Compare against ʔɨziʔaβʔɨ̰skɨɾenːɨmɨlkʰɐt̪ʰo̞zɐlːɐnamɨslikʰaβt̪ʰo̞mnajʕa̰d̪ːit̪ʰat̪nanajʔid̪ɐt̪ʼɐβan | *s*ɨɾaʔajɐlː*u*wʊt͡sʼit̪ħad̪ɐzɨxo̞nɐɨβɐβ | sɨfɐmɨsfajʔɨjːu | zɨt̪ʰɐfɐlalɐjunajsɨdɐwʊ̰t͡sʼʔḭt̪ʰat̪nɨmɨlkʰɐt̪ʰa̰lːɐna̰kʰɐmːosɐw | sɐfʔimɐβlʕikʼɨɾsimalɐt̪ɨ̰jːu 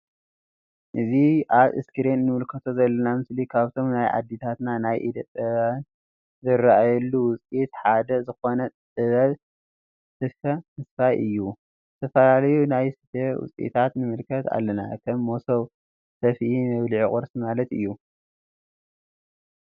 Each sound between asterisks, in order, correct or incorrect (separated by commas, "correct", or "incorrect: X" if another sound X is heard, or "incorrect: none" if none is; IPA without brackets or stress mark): incorrect: z, correct